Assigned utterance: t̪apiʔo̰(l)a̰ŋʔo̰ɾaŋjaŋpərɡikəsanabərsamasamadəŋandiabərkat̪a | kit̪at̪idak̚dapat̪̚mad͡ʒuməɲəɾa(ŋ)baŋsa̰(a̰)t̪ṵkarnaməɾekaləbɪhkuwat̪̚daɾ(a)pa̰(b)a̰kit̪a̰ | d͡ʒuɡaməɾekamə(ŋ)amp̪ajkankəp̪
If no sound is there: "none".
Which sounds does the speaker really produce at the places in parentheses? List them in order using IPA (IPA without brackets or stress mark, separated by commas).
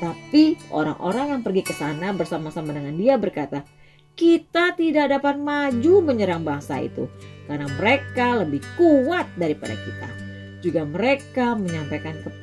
ɾ, ŋ, ḭ, i, d, ɲ